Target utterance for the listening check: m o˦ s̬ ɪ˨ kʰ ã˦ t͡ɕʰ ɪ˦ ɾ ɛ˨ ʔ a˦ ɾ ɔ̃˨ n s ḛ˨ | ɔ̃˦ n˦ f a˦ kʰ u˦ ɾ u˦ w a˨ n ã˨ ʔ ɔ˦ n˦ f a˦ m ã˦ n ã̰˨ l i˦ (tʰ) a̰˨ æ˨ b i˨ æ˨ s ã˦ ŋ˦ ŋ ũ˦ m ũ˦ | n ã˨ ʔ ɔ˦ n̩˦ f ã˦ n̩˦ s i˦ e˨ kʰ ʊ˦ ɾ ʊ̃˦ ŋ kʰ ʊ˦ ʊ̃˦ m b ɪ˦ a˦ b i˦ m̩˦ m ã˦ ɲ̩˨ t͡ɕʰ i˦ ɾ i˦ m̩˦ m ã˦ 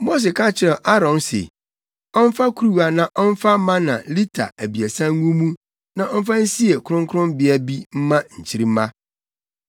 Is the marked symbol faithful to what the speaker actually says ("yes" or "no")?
yes